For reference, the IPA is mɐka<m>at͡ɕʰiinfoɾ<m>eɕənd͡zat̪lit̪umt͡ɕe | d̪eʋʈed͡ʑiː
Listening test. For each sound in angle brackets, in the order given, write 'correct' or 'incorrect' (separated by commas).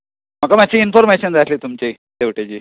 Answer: correct, correct